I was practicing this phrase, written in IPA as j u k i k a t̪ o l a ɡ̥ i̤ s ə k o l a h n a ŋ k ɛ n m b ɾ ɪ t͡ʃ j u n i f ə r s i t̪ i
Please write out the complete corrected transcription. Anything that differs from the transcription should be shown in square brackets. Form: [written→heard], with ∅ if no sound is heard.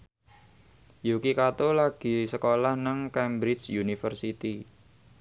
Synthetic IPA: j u k i k a t̪ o l a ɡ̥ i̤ s ə k o l a h n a ŋ k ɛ [n→∅] m b ɾ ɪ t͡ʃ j u n i f ə r s i t̪ i